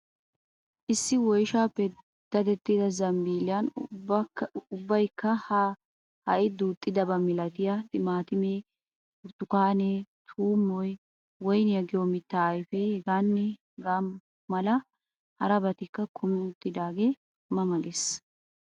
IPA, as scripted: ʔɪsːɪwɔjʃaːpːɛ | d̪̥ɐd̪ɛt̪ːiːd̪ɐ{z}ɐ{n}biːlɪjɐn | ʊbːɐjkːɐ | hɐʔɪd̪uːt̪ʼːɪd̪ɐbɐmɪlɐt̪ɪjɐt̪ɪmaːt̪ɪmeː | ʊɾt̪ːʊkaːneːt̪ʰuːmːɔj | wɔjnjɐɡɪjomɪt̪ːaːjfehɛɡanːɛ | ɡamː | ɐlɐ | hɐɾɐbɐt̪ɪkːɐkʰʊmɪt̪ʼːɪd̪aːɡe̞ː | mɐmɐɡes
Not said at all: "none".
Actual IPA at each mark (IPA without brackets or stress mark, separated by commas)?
z, m